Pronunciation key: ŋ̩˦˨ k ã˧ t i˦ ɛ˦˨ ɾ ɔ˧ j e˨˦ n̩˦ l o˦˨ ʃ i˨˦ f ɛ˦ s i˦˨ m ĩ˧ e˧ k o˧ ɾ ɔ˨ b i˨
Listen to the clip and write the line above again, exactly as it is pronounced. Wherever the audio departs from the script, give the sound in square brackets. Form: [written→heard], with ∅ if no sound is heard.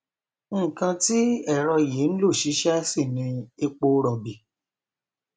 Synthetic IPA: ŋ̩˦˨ k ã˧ t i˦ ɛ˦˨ ɾ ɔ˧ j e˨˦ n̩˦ l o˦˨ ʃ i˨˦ [f→ʃ] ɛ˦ s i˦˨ [m→n] ĩ˧ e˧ [k→k͡p] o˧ ɾ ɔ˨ b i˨

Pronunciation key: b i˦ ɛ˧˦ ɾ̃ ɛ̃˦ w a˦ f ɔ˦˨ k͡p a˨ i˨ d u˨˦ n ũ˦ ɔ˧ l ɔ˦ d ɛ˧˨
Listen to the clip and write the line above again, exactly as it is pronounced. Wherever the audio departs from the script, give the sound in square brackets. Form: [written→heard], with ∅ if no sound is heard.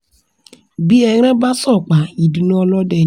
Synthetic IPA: b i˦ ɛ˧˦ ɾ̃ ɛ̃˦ [w→b] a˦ [f→s] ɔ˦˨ k͡p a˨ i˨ d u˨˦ n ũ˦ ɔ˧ l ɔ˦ d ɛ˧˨

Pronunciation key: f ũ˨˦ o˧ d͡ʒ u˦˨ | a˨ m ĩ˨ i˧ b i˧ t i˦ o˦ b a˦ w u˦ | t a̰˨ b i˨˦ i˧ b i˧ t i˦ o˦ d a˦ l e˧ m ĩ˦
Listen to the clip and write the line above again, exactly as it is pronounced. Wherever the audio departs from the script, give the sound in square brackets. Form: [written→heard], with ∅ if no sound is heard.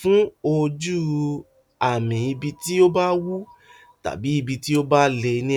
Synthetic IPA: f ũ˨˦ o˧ d͡ʒ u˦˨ | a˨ m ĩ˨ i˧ b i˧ t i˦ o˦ b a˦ w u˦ | t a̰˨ b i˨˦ i˧ b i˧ t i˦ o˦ [d→b] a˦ l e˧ [m→n] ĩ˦

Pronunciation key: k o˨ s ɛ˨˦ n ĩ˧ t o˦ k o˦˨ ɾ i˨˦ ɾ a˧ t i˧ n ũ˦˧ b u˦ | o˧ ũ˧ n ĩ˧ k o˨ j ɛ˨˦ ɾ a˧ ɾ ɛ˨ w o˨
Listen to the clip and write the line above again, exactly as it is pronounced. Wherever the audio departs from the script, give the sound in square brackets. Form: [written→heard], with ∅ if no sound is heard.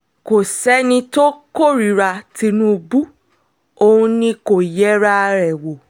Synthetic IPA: k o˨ s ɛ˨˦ n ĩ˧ t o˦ k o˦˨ ɾ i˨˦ ɾ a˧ t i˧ n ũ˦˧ b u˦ | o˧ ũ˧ n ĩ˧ k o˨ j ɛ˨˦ ɾ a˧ ɾ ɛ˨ w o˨

